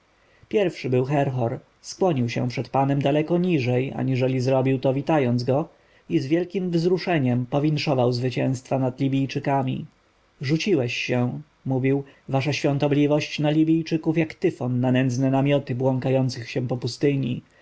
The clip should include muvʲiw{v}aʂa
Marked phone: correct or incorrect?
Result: correct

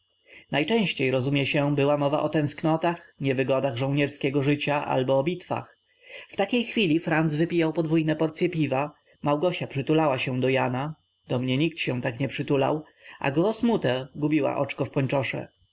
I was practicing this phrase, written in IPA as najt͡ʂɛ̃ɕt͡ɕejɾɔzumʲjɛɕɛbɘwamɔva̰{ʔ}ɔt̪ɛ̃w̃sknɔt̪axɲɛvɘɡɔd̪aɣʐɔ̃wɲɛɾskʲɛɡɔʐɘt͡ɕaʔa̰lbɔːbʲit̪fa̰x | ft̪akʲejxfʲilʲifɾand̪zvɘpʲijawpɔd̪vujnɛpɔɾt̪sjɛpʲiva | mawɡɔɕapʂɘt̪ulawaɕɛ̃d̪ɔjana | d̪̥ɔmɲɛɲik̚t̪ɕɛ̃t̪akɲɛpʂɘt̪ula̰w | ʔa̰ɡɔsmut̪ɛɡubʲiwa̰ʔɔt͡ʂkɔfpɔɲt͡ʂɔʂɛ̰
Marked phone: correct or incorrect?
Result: correct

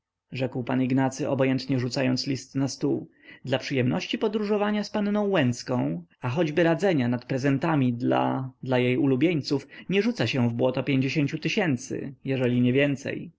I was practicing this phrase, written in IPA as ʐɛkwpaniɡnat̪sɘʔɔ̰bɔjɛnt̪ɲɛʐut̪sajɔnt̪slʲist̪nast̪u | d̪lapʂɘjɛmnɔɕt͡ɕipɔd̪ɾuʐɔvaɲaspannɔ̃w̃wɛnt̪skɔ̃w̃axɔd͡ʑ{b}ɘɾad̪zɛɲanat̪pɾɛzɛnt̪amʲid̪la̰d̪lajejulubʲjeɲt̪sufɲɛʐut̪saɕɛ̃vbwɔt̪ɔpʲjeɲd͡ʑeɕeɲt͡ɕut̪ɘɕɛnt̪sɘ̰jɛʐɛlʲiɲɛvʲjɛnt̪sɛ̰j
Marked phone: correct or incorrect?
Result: correct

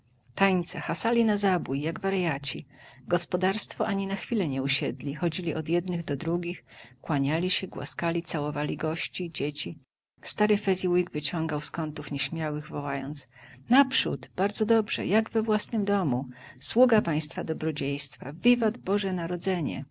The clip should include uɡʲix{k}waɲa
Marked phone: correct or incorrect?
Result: correct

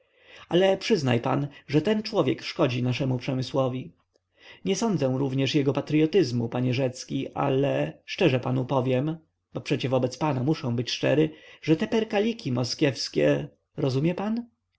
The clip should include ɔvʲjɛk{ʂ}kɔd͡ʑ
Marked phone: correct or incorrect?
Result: correct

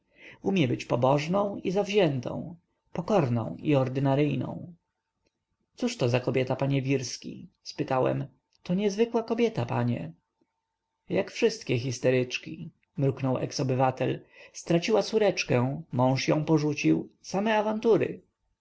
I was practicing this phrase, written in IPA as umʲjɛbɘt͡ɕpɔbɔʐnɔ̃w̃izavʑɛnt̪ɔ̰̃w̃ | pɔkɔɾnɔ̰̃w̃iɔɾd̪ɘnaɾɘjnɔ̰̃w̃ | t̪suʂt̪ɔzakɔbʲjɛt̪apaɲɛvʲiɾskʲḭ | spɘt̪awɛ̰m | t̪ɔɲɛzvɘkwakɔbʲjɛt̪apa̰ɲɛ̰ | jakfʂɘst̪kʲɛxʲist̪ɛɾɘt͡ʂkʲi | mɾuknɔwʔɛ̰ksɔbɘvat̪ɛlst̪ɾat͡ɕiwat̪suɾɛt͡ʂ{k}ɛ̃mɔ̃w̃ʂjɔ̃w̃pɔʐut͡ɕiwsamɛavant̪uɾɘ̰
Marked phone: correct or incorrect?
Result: correct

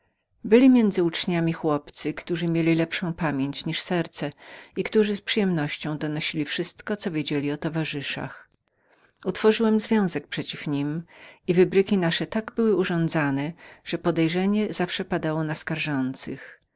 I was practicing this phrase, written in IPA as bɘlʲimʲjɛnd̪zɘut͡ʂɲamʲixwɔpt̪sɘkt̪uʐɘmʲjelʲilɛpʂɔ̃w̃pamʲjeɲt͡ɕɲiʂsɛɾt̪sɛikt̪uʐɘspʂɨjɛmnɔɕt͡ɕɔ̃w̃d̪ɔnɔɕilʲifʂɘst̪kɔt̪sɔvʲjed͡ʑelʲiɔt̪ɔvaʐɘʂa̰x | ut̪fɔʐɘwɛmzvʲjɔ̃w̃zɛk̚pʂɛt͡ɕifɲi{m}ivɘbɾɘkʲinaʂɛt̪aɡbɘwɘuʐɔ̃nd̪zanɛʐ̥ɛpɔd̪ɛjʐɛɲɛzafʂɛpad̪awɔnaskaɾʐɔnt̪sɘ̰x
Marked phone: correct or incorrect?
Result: correct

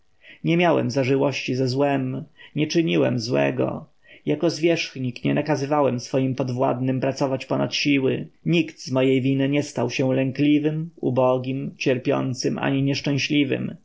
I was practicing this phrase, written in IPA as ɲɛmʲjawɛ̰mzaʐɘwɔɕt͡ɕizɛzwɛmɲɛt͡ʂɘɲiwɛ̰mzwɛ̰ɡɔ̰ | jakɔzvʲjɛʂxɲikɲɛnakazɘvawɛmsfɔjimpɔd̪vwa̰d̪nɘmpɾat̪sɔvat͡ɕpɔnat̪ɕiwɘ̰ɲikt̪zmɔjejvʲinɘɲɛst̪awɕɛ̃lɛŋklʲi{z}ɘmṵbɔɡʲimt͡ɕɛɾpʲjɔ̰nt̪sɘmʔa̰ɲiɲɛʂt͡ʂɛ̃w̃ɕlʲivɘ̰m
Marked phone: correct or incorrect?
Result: incorrect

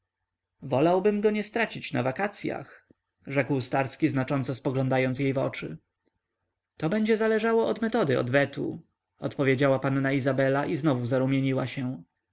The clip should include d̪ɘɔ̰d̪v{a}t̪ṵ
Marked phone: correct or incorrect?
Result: incorrect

